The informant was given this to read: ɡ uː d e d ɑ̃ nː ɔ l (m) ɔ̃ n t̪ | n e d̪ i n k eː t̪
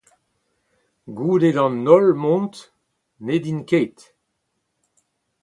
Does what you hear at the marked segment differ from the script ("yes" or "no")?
no